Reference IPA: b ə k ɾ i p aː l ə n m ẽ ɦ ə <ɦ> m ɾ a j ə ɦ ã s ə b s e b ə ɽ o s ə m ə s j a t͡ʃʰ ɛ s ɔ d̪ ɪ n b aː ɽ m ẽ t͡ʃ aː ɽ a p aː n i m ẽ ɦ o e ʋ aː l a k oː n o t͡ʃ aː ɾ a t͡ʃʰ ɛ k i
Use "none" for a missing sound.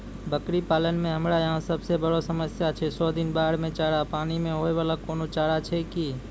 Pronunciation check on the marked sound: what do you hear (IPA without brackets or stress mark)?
none